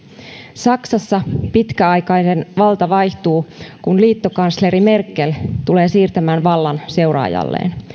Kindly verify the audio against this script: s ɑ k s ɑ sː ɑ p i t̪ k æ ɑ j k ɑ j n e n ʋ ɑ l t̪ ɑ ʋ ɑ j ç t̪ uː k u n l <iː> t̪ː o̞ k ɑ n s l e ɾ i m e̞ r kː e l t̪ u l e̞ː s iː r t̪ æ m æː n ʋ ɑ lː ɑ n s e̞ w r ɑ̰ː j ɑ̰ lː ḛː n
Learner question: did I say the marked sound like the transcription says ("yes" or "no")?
yes